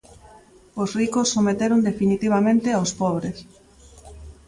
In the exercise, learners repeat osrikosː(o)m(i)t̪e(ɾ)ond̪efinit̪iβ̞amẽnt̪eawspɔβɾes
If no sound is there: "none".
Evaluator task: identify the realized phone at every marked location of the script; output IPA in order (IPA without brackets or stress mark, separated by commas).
o, e, ɾ